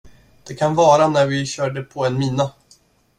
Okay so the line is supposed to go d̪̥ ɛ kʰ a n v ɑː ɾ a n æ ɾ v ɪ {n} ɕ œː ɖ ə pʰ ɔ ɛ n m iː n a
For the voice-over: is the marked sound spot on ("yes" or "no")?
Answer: no